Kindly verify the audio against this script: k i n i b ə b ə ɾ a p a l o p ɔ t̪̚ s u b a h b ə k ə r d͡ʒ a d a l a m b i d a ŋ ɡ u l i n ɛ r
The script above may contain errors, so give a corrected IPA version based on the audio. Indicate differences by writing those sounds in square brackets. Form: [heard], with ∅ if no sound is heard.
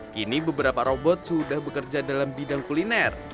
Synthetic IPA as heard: k i n i b ə b ə ɾ a p a [ɾ] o [b] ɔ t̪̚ s u [d] a h b ə k ə r d͡ʒ a d a l a m b i d a ŋ [k] u l i n ɛ r